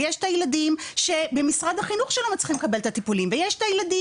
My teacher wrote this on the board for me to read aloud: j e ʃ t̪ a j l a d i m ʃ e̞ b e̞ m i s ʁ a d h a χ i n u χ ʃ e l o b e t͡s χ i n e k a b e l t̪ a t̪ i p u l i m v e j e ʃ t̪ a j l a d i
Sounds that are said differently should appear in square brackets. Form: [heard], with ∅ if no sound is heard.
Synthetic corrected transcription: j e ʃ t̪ a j l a d i m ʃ e̞ b e̞ m i s ʁ a d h a χ i n u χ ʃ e l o [m] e t͡s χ i [m] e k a b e l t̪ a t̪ i p u l i m v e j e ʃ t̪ a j l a d i